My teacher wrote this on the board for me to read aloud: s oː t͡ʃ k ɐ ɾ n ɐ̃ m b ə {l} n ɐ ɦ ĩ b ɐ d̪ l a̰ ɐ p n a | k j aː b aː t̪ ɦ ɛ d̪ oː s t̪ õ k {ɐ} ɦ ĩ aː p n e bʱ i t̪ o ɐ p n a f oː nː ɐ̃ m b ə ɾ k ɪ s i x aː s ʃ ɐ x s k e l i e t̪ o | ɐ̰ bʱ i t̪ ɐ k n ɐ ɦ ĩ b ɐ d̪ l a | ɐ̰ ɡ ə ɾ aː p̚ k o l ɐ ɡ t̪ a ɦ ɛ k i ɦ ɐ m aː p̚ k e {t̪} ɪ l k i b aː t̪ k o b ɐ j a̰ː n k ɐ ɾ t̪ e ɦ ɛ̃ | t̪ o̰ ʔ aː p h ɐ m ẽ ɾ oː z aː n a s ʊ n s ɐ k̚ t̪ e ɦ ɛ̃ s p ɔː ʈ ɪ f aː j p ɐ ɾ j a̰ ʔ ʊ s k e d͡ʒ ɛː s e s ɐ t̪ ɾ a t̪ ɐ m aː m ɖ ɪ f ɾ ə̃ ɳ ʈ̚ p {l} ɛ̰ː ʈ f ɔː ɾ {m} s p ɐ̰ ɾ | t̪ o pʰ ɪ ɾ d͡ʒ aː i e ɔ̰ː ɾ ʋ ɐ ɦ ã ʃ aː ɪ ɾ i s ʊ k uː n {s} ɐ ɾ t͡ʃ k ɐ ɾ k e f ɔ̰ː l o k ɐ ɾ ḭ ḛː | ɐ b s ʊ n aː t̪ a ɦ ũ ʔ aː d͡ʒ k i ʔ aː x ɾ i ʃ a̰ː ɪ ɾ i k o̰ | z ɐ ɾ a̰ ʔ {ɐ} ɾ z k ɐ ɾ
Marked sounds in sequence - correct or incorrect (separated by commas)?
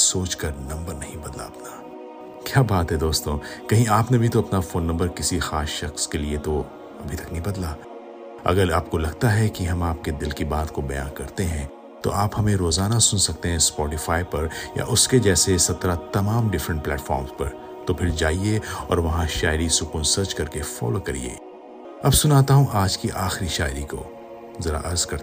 incorrect, correct, incorrect, correct, correct, correct, correct